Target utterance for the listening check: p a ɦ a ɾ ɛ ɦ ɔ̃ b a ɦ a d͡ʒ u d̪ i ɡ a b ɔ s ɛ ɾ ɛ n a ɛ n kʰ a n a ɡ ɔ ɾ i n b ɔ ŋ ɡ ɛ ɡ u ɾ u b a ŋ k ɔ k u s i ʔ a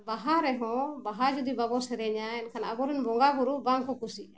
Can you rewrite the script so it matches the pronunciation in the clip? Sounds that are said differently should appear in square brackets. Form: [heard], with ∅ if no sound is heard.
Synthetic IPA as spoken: [b] a ɦ a ɾ ɛ ɦ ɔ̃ b a ɦ a d͡ʒ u d̪ i [b] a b ɔ s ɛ ɾ ɛ [ɲ] a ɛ n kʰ a n a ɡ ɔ ɾ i n b ɔ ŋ ɡ [a] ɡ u ɾ u b a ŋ k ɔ k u s i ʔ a